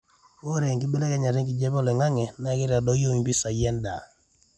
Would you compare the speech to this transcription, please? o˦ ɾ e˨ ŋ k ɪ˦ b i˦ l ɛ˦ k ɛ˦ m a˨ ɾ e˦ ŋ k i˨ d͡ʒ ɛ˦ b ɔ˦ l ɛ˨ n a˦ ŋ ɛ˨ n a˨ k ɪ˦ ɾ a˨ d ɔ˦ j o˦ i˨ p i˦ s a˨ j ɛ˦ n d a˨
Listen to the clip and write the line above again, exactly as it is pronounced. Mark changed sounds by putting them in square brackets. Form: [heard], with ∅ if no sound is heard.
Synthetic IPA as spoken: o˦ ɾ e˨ ŋ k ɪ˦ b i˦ l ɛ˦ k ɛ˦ [ɲ] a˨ ɾ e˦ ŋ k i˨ d͡ʒ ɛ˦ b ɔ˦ l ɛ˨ [ŋ] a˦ ŋ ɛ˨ n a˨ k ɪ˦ ɾ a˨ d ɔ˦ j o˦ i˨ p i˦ s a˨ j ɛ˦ n d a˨